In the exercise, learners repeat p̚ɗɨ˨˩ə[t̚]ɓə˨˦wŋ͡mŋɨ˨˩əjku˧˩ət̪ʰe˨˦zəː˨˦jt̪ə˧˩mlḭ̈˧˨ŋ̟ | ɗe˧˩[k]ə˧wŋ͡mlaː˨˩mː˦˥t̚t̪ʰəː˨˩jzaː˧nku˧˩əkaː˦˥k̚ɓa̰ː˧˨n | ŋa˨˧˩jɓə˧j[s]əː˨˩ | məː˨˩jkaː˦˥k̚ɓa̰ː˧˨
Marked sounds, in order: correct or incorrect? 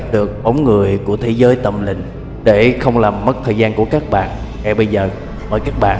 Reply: incorrect: k̚, incorrect: x, incorrect: z

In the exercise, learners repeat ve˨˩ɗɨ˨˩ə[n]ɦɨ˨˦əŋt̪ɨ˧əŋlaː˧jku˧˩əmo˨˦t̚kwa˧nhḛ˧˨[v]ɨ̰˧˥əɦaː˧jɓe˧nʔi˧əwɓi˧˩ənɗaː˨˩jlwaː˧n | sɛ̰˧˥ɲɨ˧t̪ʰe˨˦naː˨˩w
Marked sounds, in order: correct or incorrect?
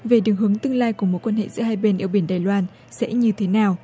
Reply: incorrect: ŋ, incorrect: z

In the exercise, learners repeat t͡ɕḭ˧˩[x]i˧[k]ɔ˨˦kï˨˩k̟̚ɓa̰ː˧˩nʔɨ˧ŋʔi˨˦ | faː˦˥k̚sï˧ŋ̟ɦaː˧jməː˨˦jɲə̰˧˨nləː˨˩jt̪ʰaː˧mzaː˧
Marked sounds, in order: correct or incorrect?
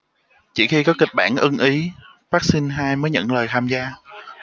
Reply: correct, correct

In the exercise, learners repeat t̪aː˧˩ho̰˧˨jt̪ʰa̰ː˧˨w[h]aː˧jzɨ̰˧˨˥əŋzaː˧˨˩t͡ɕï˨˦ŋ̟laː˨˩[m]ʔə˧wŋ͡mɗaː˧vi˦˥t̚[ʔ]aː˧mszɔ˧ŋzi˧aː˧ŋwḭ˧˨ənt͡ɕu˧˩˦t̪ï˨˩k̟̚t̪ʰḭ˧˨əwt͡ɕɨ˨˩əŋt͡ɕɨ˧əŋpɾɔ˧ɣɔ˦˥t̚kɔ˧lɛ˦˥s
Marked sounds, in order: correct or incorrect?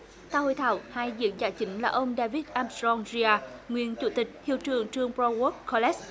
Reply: correct, incorrect: none, correct

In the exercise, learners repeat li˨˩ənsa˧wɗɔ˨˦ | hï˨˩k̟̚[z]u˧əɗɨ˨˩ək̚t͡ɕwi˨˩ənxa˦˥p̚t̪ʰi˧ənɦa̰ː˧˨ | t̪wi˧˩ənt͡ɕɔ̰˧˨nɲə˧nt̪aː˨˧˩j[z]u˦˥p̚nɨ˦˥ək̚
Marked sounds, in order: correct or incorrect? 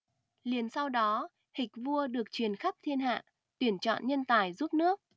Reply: incorrect: v, correct

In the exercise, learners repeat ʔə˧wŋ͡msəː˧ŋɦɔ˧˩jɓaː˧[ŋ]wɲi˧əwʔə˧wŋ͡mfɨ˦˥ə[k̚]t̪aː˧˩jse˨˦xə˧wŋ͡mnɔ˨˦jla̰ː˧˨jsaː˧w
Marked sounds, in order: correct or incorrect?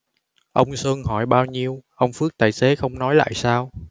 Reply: incorrect: none, correct

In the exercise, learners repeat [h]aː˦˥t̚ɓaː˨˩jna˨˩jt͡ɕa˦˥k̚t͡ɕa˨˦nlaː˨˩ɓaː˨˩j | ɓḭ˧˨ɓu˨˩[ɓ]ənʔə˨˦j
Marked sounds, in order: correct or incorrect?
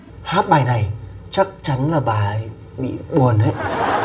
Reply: correct, incorrect: none

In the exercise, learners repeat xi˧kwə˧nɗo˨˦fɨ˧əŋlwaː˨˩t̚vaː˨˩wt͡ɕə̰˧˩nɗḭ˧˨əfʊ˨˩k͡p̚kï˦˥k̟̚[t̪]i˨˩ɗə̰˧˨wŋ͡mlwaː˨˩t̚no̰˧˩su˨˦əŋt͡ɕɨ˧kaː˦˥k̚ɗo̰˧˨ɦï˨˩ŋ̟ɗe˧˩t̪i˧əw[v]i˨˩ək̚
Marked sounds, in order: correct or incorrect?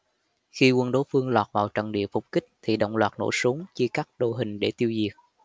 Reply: incorrect: t̪ʰ, incorrect: z

